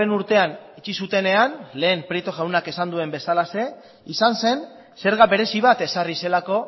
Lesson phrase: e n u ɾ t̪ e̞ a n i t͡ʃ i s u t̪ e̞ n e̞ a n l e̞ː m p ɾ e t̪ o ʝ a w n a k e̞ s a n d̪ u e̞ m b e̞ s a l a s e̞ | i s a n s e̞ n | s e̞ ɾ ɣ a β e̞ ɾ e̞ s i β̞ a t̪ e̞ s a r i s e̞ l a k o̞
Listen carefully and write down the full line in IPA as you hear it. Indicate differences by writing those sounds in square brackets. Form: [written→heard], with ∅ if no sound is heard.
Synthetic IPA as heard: e n u ɾ t̪ e̞ a n i t͡ʃ i s u t̪ e̞ n e̞ a n l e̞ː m p ɾ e t̪ o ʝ a w n a k e̞ s a n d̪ u e̞ m b e̞ s a l a s e̞ | i s a n s e̞ n | s e̞ ɾ ɣ a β e̞ ɾ e̞ s i β̞ a t̪ e̞ s a r i s e̞ l a k o̞